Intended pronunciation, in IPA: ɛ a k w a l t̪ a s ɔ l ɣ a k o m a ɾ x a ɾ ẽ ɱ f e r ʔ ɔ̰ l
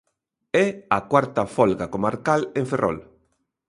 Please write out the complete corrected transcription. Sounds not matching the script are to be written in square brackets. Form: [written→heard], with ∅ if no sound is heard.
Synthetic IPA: ɛ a k w a [l→ɾ] t̪ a [s→f] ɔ l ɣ a k o m a ɾ [x→k] a [ɾ→l] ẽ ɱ f e r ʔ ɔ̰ l